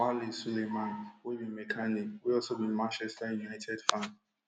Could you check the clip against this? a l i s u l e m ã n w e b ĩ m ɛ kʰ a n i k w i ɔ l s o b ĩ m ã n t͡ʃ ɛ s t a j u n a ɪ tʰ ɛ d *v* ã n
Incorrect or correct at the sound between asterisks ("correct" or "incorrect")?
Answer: incorrect